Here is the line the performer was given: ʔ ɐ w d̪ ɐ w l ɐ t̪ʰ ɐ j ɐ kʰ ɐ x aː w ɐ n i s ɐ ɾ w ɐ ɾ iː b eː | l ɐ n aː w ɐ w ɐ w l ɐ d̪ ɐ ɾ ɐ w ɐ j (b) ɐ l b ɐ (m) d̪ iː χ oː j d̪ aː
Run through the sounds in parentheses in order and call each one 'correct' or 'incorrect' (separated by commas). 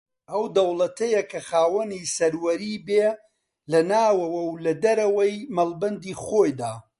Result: incorrect, incorrect